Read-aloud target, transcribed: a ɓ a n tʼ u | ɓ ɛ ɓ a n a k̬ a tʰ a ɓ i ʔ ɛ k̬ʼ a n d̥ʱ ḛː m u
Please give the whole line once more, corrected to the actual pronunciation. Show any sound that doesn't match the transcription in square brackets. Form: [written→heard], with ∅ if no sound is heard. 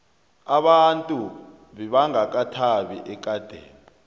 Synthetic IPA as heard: a ɓ a n tʼ u | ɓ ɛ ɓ a [n→ŋ] a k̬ a tʰ a ɓ i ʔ ɛ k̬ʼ a [n→∅] d̥ʱ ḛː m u